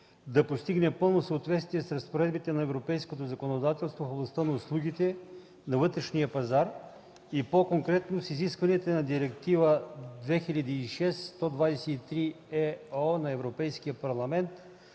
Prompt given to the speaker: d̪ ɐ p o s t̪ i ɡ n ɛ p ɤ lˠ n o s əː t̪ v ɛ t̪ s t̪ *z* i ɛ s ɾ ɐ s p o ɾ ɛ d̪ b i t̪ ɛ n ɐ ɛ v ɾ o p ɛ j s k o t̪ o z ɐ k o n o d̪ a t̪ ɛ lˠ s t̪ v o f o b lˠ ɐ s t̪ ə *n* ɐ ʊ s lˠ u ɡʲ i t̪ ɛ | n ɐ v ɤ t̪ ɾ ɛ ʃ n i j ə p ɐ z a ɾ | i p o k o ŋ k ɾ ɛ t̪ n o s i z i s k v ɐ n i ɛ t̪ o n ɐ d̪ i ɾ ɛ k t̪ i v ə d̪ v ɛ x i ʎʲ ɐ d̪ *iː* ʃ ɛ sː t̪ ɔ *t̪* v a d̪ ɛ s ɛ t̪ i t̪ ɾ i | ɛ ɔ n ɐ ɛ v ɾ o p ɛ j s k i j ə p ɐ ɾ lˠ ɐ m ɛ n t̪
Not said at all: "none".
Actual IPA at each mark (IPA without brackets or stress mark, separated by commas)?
v, n, iː, d̪